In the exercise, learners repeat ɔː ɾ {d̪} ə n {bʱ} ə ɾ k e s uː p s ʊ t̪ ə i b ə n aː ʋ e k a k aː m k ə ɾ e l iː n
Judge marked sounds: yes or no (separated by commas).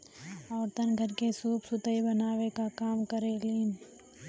no, no